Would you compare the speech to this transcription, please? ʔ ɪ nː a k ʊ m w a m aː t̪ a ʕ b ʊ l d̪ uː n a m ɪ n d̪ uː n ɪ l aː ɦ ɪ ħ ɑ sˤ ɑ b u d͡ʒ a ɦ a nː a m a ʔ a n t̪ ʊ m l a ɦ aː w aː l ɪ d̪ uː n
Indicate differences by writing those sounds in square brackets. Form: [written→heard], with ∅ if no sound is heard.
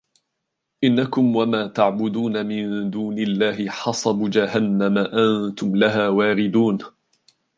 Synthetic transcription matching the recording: ʔ ɪ nː a k ʊ m w a m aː t̪ a ʕ b ʊ [l→∅] d̪ uː n a m ɪ n d̪ uː n ɪ [l→lː] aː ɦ ɪ ħ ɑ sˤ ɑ b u d͡ʒ a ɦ a nː a m a ʔ a n t̪ ʊ m l a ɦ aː w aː [l→ɾ] ɪ d̪ uː n